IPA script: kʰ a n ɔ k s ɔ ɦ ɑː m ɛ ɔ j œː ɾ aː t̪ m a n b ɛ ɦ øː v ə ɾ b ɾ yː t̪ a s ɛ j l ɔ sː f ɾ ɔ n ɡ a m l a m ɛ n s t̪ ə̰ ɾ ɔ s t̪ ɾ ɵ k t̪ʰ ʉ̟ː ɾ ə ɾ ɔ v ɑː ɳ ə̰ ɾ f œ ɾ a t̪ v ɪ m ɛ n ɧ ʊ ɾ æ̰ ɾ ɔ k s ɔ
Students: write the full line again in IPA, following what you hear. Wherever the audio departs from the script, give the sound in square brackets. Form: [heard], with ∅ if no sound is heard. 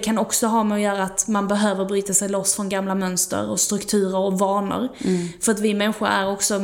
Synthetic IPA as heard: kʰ a n ɔ k s ɔ ɦ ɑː m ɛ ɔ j œː ɾ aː t̪ m a n b ɛ ɦ øː v ə ɾ b ɾ yː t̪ a s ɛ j l ɔ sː f ɾ ɔ n ɡ a m l a m [œ] n s t̪ ə̰ ɾ ɔ s t̪ ɾ ɵ k t̪ʰ ʉ̟ː ɾ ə ɾ ɔ v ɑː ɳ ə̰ ɾ f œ ɾ a t̪ v ɪ m ɛ n ɧ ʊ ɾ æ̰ ɾ ɔ k s ɔ